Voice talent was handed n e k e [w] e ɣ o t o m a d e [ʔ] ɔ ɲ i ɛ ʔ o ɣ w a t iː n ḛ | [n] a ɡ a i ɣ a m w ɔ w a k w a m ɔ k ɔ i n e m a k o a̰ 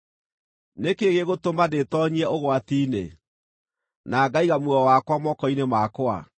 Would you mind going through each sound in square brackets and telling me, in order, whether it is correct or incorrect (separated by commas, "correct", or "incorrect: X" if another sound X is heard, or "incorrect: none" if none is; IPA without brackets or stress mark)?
incorrect: ɣ, incorrect: t, correct